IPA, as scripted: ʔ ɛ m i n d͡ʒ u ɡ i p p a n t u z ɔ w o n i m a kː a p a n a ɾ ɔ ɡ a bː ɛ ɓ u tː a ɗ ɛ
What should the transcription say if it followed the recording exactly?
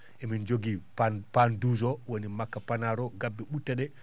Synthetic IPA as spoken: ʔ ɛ m i n d͡ʒ o ɡ i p p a n d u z ɔ w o n i m a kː a p a n a ɾ ɔ ɡ a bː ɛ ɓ u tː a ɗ ɛ